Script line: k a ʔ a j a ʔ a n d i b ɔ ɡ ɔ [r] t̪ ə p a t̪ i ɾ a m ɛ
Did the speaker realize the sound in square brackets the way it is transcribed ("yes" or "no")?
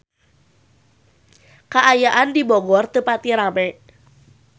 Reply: yes